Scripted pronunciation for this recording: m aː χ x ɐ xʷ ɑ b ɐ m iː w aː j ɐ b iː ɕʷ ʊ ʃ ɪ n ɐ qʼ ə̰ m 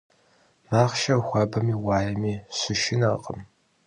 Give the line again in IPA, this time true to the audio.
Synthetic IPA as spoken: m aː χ ʃ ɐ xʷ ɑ b ɐ m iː w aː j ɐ m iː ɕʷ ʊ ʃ ɪ n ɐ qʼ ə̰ m